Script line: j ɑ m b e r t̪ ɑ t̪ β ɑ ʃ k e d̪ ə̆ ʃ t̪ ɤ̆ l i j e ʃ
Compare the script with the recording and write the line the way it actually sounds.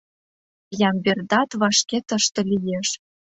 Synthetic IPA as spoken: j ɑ m b e r d̪ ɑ t̪ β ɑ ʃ k e t̪ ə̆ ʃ t̪ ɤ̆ l i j e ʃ